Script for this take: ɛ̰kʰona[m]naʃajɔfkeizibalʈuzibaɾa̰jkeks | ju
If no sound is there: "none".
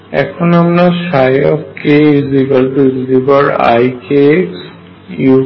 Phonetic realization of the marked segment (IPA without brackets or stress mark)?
m